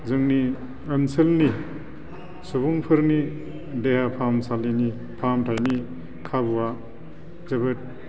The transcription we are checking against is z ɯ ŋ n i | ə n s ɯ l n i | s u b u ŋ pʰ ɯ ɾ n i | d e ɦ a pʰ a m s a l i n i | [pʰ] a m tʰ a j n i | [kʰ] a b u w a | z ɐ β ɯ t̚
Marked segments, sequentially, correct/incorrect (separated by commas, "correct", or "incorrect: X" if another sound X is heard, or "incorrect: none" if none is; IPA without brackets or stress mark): correct, correct